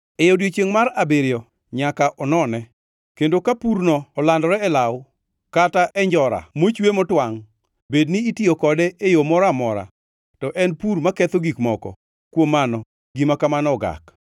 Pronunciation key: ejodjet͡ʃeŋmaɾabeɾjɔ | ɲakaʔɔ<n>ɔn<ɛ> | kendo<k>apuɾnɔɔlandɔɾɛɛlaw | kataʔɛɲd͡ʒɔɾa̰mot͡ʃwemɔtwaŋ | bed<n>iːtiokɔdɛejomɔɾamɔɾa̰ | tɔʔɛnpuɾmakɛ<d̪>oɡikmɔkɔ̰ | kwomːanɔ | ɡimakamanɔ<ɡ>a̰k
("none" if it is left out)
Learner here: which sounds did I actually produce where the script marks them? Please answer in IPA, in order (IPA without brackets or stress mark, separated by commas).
n, ɛ, k, n, t̪, ɡ